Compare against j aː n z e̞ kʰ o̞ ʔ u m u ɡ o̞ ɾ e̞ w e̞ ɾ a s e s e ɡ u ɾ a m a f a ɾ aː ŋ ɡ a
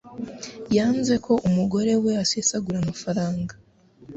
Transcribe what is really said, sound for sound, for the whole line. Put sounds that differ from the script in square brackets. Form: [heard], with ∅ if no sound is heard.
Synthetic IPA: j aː n z e̞ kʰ o̞ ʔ u m u ɡ o̞ ɾ e̞ w e̞ [∅] a s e s [a] ɡ u ɾ a m a f a ɾ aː ŋ ɡ a